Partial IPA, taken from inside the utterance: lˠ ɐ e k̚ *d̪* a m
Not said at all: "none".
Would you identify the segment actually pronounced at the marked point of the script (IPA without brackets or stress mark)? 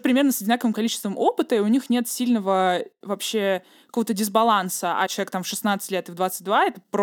t̪